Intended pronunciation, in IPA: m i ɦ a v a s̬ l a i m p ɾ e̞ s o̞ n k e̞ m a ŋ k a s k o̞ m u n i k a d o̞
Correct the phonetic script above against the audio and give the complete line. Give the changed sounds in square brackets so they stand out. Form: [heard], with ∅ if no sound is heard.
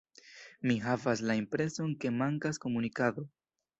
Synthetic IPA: m i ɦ a v a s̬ l a i m p ɾ e̞ s o̞ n k e̞ m a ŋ k a s k o̞ m u n i k a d o̞